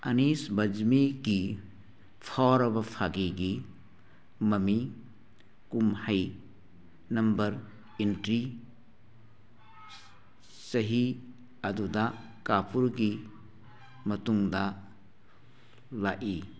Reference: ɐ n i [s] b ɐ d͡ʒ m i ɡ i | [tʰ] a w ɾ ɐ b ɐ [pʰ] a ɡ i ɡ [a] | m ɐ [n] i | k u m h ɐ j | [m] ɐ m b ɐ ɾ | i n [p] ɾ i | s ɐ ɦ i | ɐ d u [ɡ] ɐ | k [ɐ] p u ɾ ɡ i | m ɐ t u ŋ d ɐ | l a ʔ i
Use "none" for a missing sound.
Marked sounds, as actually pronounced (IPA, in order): s, pʰ, pʰ, i, m, n, t, d, a

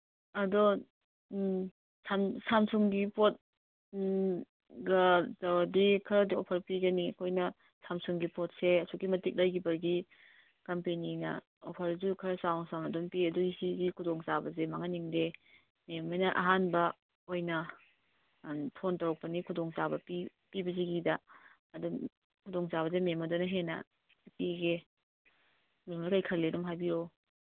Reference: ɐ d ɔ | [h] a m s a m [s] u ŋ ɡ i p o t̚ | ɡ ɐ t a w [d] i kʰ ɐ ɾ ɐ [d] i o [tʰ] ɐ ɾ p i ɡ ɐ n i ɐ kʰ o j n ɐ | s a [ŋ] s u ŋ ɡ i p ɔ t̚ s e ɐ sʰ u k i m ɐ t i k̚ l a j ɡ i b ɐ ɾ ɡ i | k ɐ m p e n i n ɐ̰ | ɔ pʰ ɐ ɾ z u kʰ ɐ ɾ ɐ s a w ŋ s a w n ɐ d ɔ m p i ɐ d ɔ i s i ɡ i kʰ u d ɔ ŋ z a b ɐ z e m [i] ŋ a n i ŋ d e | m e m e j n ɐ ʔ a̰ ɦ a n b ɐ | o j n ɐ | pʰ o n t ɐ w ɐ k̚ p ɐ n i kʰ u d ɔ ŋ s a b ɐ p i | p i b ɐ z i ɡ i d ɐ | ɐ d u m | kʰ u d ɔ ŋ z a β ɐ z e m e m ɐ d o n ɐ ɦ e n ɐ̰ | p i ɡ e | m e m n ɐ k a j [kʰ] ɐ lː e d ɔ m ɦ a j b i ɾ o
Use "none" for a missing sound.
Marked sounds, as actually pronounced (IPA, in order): s, s, d, d, pʰ, m, a, kʰ

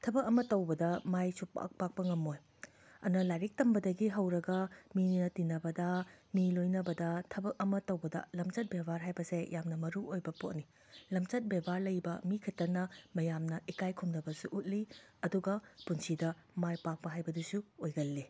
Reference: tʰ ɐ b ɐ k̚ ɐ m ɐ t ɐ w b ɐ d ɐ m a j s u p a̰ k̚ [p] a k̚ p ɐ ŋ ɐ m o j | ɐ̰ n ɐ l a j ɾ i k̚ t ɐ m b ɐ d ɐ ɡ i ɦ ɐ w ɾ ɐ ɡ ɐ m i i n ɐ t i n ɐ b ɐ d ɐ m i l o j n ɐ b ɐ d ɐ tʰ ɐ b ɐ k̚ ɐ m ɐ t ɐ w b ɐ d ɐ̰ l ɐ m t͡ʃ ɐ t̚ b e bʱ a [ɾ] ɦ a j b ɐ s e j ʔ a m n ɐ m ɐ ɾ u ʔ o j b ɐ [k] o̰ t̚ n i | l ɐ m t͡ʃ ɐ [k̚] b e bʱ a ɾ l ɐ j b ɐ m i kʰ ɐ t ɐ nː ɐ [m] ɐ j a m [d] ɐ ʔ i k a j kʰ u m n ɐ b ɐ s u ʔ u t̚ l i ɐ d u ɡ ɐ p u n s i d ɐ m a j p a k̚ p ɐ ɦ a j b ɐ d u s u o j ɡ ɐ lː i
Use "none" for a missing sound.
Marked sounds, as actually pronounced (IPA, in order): p, ɾ, p, t̚, m, n

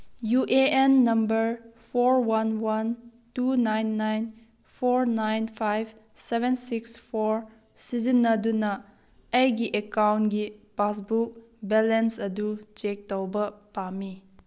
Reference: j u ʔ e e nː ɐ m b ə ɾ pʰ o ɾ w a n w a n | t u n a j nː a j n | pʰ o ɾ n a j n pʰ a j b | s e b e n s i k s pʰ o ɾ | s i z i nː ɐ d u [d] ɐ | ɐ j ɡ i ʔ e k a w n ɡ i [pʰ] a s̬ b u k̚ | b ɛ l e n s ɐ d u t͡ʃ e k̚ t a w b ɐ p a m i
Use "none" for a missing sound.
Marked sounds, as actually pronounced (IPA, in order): n, p

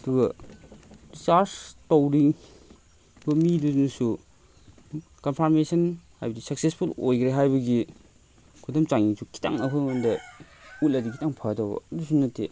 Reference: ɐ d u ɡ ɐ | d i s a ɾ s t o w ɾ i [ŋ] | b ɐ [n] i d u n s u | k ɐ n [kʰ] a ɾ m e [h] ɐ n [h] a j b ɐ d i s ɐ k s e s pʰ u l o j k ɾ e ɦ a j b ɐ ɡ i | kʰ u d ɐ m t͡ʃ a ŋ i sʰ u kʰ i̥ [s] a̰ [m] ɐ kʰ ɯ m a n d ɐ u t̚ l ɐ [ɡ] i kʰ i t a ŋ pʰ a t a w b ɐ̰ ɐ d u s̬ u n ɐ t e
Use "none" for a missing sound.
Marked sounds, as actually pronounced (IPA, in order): ŋ, m, pʰ, s, h, t, ŋ, d

